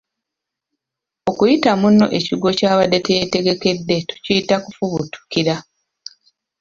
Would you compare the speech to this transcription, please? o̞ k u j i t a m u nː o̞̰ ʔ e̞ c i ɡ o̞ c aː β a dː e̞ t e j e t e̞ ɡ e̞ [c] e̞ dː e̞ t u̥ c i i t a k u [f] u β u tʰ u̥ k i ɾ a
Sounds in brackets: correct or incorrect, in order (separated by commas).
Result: incorrect, correct